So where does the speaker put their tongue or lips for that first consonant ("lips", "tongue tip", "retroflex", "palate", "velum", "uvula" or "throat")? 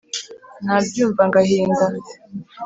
tongue tip